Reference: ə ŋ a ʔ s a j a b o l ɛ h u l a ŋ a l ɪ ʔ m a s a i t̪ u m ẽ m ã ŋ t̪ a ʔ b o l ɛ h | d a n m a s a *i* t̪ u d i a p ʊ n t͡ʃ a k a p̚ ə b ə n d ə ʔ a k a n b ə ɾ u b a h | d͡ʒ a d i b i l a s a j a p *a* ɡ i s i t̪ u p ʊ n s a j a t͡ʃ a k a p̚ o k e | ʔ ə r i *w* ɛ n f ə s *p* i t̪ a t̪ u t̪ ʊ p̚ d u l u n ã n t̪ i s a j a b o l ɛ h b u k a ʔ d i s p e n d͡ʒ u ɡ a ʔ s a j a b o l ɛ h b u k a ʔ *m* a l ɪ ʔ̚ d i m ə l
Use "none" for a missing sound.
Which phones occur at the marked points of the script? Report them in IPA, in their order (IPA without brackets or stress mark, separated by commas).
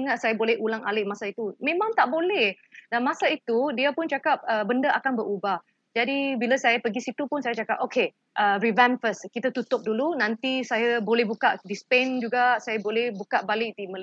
i, ə, v, k, b